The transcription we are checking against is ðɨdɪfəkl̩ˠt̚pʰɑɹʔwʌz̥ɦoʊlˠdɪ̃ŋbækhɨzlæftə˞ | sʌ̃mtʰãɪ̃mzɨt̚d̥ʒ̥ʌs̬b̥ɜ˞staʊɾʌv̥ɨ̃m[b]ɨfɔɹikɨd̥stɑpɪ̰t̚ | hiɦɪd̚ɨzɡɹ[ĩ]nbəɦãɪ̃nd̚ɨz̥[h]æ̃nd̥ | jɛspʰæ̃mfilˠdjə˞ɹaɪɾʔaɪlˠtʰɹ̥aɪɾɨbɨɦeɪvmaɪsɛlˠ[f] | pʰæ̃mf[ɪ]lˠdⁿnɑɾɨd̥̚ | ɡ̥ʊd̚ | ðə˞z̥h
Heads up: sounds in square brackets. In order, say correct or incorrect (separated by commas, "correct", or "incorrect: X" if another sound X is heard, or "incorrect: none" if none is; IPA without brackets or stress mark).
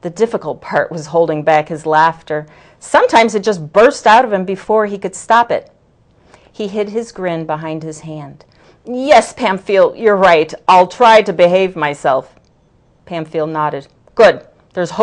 correct, incorrect: ɪ̃, correct, correct, incorrect: i